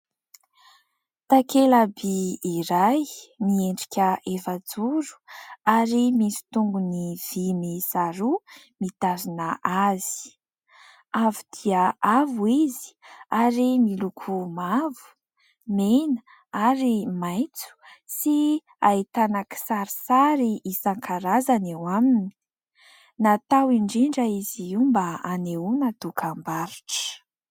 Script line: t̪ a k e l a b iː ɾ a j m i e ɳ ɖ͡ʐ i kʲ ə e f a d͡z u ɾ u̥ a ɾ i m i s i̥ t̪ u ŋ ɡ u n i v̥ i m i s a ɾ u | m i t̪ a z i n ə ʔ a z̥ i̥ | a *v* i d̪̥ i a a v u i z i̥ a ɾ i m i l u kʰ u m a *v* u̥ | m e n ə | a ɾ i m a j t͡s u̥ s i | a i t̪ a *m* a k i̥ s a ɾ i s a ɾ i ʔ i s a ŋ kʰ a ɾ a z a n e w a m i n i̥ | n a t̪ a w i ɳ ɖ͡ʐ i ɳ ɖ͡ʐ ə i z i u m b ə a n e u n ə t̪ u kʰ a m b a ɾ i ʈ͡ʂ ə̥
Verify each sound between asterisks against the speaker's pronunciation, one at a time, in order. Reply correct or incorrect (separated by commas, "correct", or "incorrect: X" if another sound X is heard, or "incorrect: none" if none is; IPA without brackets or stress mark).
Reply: correct, correct, incorrect: n